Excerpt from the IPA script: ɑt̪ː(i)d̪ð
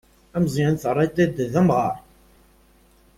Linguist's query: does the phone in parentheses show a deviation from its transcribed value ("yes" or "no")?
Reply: yes